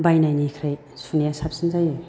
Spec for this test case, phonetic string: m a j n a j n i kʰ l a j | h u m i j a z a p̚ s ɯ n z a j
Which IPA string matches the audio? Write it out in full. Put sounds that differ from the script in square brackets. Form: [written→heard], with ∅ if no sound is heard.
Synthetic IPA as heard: [m→b] a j n a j n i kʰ [l→ɾ] a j | [h→s] u [m→n] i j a [z→s] a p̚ s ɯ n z a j

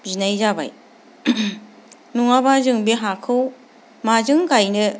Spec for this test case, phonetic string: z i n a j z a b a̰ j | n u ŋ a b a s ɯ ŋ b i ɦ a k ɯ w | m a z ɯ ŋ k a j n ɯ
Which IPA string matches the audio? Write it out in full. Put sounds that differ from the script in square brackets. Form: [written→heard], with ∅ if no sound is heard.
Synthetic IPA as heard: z i n a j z a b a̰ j | n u ŋ a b a [s→z] ɯ ŋ b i ɦ a [k→kʰ] ɯ w | m a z ɯ ŋ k a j n ɯ

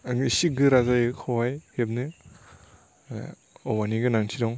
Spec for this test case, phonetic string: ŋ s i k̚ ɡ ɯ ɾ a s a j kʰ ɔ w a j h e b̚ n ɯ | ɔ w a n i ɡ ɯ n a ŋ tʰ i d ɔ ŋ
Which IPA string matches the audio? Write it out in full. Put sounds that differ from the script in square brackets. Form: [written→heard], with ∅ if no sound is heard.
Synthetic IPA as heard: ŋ s i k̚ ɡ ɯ ɾ a [s→z] a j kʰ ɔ w a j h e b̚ n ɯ | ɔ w a n i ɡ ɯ n a ŋ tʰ i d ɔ ŋ

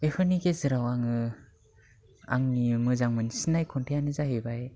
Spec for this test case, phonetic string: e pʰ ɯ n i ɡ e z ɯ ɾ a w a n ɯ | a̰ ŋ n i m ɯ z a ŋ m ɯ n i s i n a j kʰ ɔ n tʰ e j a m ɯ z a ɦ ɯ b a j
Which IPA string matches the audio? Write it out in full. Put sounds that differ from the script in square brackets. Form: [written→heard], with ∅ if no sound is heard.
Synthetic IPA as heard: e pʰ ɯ n i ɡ e z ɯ ɾ a w a [n→ŋ] ɯ | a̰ ŋ n i m ɯ z a ŋ m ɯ n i s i n a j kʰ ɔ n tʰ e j a [m→n] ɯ z a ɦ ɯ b a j

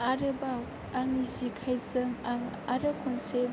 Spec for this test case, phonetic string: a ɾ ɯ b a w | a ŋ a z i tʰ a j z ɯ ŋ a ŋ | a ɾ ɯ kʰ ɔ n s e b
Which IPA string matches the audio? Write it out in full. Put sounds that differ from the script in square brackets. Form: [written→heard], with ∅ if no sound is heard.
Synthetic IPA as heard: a ɾ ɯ b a w | a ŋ [a→i] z i [tʰ→kʰ] a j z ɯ ŋ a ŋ | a ɾ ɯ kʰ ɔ n s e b

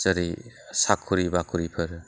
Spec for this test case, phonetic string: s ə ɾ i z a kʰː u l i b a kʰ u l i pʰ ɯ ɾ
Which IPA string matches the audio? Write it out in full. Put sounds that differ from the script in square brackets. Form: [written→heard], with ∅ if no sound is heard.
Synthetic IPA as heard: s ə ɾ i [z→s] a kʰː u [l→ɾ] i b a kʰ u [l→ɾ] i pʰ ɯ ɾ

